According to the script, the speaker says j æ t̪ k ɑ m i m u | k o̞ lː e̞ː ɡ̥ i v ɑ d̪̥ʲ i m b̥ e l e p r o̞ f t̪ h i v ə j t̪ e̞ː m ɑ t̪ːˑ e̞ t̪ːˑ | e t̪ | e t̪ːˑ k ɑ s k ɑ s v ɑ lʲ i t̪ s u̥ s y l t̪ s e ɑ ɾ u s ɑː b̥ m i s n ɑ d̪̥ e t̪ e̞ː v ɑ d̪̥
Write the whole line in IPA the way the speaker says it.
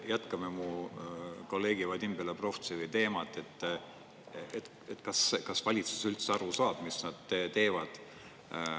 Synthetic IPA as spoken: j æ t̪ k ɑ m e m u | k o̞ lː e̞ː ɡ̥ i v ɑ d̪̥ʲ i m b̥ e l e p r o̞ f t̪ s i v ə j t̪ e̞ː m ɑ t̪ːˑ e̞ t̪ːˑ | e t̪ | e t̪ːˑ k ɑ s k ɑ s v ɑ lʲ i t̪ s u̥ s y l t̪ s e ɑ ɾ u s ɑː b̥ m i s n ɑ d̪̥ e t̪ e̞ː v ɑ d̪̥